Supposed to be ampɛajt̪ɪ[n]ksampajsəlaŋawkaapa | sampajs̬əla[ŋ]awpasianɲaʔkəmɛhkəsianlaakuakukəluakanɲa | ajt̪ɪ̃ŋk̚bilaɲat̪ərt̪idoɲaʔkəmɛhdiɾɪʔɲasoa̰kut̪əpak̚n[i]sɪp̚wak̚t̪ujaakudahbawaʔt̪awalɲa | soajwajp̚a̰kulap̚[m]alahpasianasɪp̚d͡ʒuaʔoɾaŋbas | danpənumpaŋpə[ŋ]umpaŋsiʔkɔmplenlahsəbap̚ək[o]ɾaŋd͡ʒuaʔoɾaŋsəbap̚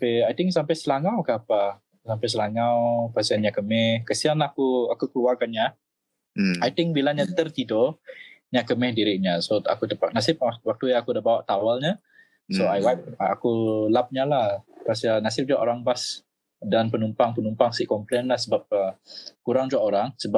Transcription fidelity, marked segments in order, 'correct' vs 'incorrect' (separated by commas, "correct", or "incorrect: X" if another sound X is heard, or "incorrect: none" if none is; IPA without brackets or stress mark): incorrect: ŋ, correct, incorrect: a, incorrect: ɲ, incorrect: n, incorrect: u